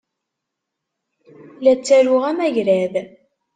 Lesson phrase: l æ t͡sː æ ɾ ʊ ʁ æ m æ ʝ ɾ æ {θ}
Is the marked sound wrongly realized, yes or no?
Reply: yes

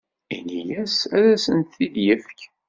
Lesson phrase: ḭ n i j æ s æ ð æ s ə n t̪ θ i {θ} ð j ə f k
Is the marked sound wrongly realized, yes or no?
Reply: yes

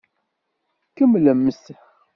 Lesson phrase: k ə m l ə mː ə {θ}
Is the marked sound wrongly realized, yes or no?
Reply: yes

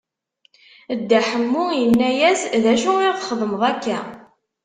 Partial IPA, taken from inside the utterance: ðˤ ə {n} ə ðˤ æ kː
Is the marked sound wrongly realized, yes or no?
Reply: yes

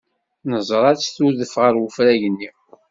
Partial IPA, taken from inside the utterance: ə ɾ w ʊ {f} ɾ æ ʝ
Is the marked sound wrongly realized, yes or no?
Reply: no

